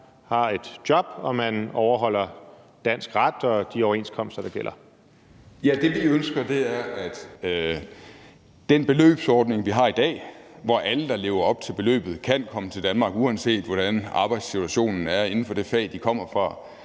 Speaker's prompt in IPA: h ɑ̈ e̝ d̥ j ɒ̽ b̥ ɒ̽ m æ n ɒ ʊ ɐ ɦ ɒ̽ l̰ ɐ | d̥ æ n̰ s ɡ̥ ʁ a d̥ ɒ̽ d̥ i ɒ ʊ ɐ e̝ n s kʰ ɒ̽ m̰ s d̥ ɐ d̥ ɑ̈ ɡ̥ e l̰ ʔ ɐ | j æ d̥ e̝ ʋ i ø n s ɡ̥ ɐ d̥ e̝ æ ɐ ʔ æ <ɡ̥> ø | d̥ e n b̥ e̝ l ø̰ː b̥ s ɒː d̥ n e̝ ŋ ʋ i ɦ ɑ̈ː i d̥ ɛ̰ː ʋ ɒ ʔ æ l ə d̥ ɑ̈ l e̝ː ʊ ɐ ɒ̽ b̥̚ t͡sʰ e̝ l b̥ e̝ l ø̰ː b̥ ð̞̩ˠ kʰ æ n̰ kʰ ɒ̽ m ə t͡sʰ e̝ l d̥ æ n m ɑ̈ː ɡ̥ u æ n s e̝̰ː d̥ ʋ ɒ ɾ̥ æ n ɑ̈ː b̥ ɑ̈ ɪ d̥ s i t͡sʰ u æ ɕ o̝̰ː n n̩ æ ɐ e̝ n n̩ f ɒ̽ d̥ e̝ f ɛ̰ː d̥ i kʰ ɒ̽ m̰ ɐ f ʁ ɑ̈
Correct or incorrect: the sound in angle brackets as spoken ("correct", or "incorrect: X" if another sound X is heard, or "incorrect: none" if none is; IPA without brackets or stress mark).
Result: incorrect: d̥